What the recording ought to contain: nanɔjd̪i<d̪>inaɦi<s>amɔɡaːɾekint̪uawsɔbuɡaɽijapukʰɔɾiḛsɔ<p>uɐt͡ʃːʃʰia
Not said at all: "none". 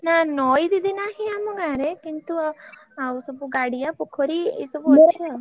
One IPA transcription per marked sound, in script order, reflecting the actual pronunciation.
d̪, none, b

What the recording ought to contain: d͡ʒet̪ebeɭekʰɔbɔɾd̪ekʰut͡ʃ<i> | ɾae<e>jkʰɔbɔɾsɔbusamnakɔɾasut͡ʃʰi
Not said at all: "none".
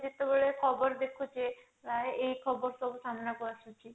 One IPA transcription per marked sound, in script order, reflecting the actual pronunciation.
e, e

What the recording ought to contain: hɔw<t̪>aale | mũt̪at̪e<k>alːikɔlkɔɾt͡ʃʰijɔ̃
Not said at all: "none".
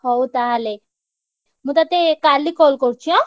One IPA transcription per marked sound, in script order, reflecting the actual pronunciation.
t̪, k

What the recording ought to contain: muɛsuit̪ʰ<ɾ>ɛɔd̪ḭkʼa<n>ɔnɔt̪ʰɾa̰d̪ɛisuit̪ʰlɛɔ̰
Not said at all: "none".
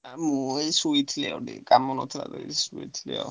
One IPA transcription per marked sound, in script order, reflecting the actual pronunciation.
l, m

